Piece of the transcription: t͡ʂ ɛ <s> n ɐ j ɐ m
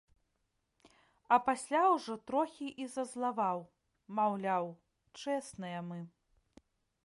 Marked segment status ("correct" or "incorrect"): correct